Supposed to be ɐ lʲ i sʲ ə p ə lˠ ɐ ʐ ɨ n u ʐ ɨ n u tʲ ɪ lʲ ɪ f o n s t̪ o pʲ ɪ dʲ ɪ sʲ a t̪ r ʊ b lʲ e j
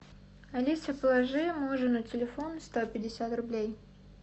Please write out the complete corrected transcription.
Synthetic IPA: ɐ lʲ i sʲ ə p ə lˠ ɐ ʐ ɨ m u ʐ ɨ n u tʲ ɪ lʲ ɪ f o n s t̪ o pʲ ɪ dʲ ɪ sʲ a t̪ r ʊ b lʲ e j